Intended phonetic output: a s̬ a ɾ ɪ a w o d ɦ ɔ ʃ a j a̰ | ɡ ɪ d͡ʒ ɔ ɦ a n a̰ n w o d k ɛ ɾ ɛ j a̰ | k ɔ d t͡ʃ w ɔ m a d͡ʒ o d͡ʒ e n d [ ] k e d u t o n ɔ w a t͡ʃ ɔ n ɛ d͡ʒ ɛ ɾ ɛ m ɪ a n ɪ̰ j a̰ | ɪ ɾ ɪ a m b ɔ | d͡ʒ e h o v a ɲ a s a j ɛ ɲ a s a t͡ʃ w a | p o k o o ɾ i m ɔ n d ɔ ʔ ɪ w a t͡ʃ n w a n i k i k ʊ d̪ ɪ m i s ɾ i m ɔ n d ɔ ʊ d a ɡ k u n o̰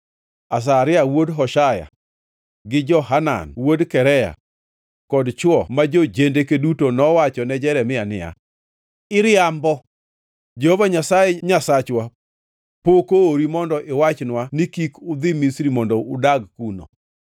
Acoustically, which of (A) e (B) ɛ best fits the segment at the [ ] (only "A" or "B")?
A